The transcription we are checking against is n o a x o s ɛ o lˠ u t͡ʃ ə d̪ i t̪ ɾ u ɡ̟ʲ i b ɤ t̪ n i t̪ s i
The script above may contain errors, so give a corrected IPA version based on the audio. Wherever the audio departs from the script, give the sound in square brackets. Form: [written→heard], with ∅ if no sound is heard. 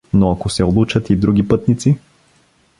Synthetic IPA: n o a [x→k] o s ɛ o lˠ u t͡ʃ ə [d̪→t̪] i [t̪→d̪] ɾ u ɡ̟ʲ i [b→p] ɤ t̪ n i t̪ s i